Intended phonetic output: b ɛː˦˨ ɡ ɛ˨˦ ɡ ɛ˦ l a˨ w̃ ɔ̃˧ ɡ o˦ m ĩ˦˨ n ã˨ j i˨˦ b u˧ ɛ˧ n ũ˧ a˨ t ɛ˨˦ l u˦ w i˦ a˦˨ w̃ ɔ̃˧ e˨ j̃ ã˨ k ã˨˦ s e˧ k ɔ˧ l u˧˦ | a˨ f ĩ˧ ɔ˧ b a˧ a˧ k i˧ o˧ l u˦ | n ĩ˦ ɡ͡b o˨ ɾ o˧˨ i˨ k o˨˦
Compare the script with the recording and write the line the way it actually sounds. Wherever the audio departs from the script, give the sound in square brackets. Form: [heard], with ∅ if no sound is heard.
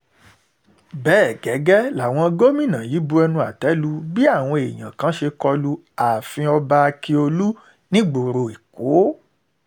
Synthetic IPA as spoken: b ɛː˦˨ ɡ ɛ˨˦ ɡ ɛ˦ l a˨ w̃ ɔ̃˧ ɡ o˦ m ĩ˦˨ n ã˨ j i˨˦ b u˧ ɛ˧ n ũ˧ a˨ t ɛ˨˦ l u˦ [b] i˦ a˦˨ w̃ ɔ̃˧ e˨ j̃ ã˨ k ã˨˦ [ʃ] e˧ k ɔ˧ l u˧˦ | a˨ f ĩ˧ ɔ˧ b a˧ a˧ k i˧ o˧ l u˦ | n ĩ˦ ɡ͡b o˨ ɾ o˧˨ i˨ k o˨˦